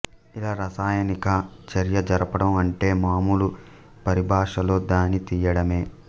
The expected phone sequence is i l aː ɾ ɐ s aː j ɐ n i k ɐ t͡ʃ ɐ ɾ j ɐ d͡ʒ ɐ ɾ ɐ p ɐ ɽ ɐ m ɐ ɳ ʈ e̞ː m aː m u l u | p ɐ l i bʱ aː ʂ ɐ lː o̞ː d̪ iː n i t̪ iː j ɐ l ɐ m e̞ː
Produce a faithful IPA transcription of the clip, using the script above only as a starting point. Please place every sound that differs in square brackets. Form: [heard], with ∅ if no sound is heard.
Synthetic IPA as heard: i l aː ɾ ɐ s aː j ɐ n i k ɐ t͡ʃ ɐ ɾ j ɐ d͡ʒ ɐ ɾ ɐ p ɐ ɽ ɐ m ɐ ɳ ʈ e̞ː m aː m u l u | p ɐ [ɾ] i bʱ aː ʂ ɐ [l] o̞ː d̪ [aː] n i t̪ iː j ɐ [ɽ] ɐ m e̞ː